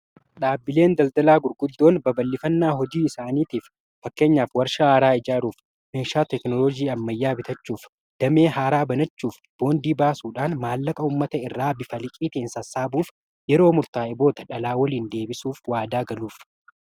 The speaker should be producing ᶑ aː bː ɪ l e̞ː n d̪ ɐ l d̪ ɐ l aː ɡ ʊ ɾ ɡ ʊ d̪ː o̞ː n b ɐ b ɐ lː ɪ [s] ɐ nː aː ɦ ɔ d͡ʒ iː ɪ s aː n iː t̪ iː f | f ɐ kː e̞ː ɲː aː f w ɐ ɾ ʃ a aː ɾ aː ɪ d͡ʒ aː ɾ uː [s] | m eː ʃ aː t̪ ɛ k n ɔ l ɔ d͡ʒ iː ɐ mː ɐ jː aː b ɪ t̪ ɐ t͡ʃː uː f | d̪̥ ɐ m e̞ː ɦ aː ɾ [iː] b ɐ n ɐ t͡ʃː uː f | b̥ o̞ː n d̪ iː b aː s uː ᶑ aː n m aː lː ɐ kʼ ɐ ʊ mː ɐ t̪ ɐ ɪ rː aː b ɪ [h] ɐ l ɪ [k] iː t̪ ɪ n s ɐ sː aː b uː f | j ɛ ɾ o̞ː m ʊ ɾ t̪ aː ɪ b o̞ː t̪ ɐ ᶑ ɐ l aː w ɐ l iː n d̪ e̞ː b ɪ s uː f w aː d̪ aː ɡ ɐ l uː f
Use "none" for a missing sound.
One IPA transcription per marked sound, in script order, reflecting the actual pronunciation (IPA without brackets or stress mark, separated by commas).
f, f, aː, f, kʼ